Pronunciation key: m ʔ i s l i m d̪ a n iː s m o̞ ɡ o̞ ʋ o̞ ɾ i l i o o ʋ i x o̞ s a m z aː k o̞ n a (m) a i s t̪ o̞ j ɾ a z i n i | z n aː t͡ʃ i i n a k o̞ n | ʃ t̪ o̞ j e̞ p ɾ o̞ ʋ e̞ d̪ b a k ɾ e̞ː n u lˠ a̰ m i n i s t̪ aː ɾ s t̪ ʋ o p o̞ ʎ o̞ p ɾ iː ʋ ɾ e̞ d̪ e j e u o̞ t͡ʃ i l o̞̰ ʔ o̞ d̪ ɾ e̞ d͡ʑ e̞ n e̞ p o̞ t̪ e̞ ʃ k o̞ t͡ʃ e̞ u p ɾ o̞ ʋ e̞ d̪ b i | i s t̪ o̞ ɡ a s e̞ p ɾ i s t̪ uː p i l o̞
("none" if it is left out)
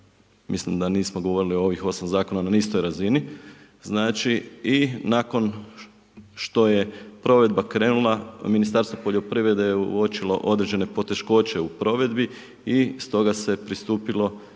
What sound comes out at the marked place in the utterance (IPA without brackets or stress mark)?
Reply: n